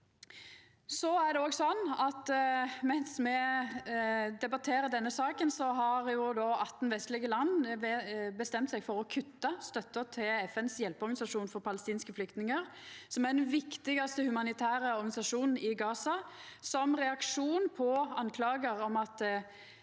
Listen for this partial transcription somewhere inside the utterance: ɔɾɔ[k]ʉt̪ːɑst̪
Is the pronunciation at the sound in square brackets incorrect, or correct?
incorrect